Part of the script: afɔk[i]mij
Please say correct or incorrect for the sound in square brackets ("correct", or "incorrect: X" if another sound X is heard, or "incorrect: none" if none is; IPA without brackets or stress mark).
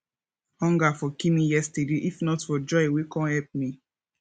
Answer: correct